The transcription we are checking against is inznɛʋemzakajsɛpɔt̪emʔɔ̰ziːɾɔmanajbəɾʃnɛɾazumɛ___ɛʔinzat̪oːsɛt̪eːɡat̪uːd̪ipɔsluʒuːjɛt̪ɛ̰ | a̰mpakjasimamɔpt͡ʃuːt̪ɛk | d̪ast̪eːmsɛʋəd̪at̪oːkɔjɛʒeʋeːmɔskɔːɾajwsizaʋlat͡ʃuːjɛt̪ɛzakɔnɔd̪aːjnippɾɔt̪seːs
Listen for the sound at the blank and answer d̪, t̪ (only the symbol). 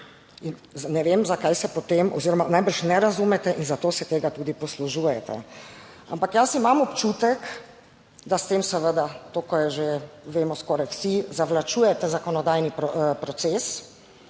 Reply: t̪